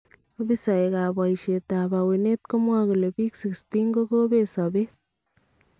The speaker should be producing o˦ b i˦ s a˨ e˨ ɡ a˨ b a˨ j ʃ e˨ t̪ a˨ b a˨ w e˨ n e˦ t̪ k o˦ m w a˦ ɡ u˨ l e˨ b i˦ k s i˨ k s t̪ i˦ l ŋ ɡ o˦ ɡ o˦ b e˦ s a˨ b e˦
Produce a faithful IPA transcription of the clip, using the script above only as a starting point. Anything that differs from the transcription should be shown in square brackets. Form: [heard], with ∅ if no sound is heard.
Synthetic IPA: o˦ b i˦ s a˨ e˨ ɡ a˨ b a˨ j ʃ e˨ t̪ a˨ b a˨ w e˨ n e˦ t̪ k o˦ m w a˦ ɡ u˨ l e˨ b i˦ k s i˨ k s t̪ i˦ [∅] ŋ ɡ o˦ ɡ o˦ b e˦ s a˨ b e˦